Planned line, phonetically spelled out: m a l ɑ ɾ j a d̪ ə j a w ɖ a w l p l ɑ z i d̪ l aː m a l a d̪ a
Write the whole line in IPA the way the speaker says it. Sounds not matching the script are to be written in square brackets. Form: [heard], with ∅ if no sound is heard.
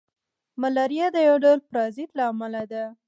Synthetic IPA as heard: m a l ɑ ɾ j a d̪ ə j a w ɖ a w l p [ɾ] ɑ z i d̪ l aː m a l a d̪ a